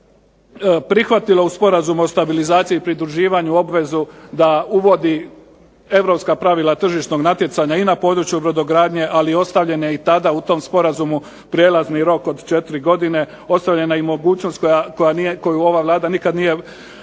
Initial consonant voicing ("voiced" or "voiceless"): voiceless